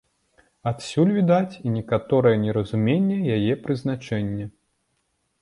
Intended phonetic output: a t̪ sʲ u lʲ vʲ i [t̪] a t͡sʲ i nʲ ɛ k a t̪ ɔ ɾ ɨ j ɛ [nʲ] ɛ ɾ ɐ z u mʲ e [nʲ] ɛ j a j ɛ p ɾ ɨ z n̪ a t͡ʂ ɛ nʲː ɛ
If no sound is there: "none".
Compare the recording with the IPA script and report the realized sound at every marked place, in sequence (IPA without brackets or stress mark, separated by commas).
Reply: d̪, nʲ, nʲː